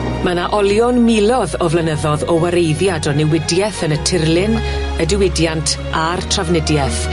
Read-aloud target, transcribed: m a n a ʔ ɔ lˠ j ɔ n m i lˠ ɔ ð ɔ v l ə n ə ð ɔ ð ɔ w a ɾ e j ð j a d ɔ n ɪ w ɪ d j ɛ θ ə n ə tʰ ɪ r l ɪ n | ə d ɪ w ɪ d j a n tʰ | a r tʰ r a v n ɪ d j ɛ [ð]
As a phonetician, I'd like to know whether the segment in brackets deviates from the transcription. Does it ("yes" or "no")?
yes